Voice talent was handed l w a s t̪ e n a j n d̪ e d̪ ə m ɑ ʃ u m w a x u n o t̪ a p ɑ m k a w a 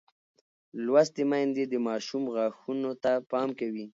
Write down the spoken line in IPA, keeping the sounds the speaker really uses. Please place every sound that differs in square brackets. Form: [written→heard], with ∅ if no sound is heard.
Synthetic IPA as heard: l w a s t̪ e [n→m] a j n d̪ e d̪ ə m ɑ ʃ u m [w→ɣ] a x u n o t̪ a p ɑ m k a w [a→i]